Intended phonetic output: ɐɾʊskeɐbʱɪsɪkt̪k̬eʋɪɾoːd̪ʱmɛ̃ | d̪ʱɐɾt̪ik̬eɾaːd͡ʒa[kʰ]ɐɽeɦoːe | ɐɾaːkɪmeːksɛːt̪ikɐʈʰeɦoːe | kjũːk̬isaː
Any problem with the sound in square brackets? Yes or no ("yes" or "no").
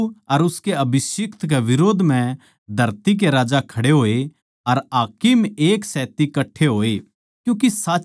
no